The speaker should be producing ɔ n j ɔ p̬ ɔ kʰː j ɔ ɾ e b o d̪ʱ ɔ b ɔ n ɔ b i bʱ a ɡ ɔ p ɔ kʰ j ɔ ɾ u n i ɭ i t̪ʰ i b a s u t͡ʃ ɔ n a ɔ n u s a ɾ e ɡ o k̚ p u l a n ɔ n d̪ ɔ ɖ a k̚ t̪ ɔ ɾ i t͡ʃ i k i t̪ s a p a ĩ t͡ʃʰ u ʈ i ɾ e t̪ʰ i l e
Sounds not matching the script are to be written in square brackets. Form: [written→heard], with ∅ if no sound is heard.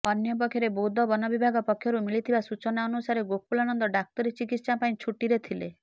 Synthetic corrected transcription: ɔ n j ɔ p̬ ɔ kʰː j ɔ ɾ e b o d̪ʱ ɔ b ɔ n ɔ b i bʱ a ɡ ɔ p ɔ kʰ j ɔ ɾ u [n→m] i ɭ i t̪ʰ i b a s u t͡ʃ ɔ n a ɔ n u s a ɾ e ɡ o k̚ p u l a n ɔ n d̪ ɔ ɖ a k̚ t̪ ɔ ɾ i t͡ʃ i k i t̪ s a p a ĩ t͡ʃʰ u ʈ i ɾ e t̪ʰ i l e